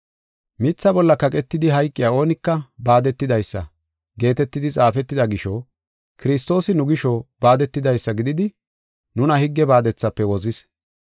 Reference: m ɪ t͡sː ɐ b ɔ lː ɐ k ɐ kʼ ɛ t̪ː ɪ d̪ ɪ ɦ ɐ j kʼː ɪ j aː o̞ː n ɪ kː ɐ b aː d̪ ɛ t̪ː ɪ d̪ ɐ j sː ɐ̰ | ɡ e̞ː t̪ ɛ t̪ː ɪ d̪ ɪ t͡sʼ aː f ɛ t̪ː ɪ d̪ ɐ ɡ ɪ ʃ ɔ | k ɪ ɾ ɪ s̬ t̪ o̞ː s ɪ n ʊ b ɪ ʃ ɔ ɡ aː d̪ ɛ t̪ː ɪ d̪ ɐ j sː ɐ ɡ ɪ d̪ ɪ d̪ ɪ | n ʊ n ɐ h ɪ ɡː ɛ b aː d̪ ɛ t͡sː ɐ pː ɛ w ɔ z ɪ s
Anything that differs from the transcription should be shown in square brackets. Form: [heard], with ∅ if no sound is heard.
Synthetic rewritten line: m ɪ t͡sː ɐ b ɔ lː ɐ k ɐ kʼ ɛ t̪ː ɪ d̪ ɪ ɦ ɐ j kʼː ɪ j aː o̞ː n ɪ kː ɐ b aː d̪ ɛ t̪ː ɪ d̪ ɐ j sː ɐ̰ | ɡ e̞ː t̪ ɛ t̪ː ɪ d̪ ɪ t͡sʼ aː f ɛ t̪ː ɪ d̪ ɐ ɡ ɪ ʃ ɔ | k ɪ ɾ ɪ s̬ t̪ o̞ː s ɪ n ʊ [ɡ] ɪ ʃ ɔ [b] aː d̪ ɛ t̪ː ɪ d̪ ɐ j sː ɐ ɡ ɪ d̪ ɪ d̪ ɪ | n ʊ n ɐ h ɪ ɡː ɛ b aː d̪ ɛ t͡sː ɐ pː ɛ w ɔ z ɪ s